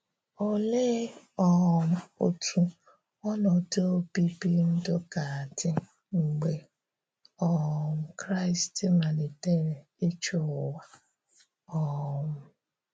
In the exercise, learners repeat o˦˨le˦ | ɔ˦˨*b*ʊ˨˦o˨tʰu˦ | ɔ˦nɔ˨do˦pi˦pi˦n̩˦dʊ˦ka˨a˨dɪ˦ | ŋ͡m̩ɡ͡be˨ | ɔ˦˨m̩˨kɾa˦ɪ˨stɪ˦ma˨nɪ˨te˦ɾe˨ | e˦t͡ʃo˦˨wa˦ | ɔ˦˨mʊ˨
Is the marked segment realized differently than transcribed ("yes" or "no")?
yes